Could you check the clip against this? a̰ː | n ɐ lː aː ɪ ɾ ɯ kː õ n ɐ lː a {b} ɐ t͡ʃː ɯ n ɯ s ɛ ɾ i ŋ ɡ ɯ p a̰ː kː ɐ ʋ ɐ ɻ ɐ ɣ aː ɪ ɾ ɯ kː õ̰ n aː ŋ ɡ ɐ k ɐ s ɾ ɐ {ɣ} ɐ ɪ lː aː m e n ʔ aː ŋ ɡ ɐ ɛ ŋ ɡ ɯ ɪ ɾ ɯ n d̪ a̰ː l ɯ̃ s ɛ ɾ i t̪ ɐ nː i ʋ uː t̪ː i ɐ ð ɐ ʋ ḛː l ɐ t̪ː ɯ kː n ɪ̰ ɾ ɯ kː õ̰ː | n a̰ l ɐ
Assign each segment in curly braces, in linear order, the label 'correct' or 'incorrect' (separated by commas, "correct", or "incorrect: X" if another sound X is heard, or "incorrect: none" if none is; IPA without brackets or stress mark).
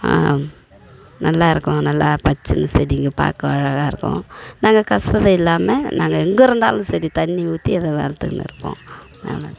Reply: incorrect: p, incorrect: ð